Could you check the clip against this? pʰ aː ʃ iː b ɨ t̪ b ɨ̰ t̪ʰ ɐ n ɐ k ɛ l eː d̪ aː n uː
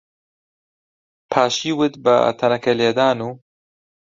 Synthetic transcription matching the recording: pʰ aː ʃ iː w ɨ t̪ b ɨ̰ t̪ʰ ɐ n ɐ k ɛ l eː d̪ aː n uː